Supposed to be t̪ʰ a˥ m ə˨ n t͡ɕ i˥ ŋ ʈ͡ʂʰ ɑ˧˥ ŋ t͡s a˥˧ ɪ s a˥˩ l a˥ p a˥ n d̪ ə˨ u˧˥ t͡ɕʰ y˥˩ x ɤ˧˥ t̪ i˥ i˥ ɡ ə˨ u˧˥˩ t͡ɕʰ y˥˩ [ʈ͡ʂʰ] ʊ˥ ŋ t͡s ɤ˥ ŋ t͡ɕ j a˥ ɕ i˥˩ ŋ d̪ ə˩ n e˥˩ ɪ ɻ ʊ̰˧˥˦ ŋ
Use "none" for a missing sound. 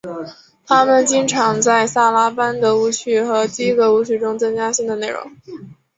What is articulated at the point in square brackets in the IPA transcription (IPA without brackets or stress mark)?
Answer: ʈ͡ʂ